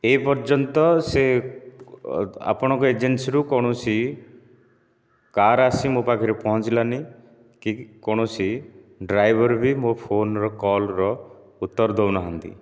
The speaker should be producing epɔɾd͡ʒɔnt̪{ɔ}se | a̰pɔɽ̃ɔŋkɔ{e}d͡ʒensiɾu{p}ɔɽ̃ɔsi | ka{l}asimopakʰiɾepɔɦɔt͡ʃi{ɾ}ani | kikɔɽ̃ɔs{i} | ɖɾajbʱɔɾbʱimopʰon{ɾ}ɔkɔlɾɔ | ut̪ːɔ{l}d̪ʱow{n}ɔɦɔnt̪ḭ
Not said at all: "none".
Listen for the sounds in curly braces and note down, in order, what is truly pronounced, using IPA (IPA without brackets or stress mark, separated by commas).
ɔ, e, k, ɾ, l, i, ɾ, ɾ, n